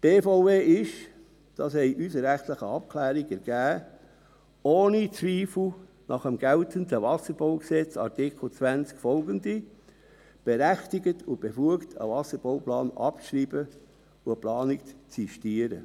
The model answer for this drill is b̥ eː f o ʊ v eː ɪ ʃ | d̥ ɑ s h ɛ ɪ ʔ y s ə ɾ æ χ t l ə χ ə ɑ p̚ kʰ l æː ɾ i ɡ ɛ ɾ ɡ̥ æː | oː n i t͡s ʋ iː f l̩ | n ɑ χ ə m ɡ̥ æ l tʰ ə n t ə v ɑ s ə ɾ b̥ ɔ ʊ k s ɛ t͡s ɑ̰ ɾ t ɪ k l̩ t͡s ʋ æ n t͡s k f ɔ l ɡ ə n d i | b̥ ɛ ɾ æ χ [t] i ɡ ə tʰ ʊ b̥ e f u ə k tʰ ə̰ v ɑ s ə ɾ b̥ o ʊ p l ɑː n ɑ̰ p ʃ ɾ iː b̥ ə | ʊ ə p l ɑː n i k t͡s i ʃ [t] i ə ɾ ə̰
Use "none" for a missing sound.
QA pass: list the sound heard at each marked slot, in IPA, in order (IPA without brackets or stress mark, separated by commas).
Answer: t, t